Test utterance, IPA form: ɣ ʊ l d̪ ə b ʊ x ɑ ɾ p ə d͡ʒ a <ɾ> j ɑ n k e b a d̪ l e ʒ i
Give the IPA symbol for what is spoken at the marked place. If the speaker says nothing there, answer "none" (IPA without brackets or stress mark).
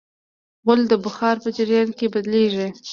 ɾ